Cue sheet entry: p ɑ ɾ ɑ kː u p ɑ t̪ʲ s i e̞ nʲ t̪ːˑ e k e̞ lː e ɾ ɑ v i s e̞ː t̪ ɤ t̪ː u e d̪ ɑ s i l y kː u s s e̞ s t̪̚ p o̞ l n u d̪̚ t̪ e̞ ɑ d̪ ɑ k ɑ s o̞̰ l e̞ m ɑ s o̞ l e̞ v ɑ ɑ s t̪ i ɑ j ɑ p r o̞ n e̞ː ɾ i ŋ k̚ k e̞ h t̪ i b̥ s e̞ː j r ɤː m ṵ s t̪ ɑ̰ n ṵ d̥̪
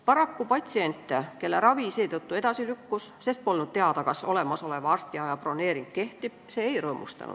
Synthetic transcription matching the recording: p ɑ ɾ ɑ kː u p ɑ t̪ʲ s i e̞ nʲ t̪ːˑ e k e̞ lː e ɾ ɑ v i s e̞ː t̪ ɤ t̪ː u e d̪ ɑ s i l y kː u s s e̞ s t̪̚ p o̞ l n u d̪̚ t̪ e̞ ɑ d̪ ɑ k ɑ s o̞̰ l e̞ m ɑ s o̞ l e̞ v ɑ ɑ s t̪ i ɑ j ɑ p r o̞ n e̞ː ɾ i ŋ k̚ k e̞ h t̪ i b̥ s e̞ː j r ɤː m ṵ s t̪ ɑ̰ n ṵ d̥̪